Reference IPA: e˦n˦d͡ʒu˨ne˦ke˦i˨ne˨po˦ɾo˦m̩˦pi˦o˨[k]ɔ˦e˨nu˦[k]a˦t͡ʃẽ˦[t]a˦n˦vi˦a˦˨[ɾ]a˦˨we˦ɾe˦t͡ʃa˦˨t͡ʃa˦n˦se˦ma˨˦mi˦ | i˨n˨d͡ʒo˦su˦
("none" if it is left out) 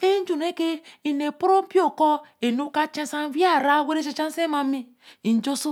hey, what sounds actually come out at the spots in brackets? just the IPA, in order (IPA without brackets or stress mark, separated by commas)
k, k, s, ɾ